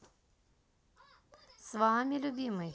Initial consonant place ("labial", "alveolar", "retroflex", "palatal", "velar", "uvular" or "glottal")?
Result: alveolar